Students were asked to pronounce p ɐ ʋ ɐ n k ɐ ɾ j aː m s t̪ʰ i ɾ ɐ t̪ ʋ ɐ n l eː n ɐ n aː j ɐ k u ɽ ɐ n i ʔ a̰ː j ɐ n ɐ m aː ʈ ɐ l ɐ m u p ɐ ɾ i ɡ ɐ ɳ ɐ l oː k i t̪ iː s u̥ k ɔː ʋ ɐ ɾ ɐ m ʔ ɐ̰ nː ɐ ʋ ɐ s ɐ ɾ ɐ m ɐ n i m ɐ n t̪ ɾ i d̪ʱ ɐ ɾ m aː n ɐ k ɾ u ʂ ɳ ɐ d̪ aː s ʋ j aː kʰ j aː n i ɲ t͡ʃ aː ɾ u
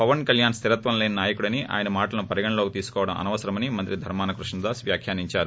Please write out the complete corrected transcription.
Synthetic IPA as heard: p ɐ ʋ ɐ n k ɐ l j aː n s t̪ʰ i ɾ ɐ t̪ ʋ ɐ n l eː n ɐ n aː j ɐ k u ɽ ɐ n i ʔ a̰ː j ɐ n ɐ m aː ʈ ɐ l ɐ n u p ɐ ɾ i ɡ ɐ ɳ ɐ l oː k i t̪ iː s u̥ k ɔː ʋ ɐ ɽ ɐ m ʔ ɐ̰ n ɐ ʋ ɐ s ɐ ɾ ɐ m ɐ n i m ɐ n t̪ ɾ i d̪ʱ ɐ ɾ m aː n ɐ k ɾ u ʂ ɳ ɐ d̪ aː s ʋ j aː kʰ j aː n i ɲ t͡ʃ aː ɾ u